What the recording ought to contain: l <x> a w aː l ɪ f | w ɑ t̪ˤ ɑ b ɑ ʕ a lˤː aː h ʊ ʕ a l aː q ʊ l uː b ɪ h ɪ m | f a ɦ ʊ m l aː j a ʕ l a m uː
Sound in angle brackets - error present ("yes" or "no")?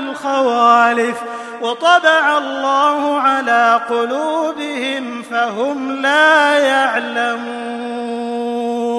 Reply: no